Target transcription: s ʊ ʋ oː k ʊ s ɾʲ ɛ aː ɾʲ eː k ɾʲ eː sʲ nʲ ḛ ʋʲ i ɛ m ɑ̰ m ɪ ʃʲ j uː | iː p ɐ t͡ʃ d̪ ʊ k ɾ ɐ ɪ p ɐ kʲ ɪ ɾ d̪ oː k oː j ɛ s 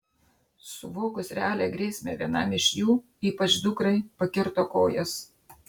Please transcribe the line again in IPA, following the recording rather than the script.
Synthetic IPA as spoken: s ʊ ʋ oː k ʊ s ɾʲ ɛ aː lʲ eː ɡ ɾʲ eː sʲ mʲ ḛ ʋʲ i ɛ n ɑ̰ m ɪ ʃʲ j uː | iː p ɐ t͡ʃ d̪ ʊ k ɾ ɐ ɪ p ɐ kʲ ɪ ɾ t̪ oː k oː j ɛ s